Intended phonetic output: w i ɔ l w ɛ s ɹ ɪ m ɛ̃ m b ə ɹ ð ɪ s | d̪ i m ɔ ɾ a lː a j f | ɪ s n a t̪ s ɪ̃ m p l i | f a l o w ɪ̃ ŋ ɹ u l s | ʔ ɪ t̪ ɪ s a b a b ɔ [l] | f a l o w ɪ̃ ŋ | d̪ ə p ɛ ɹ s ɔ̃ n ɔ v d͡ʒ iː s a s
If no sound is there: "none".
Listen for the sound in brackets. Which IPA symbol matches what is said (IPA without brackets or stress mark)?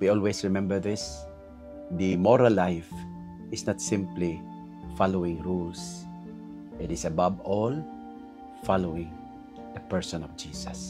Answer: l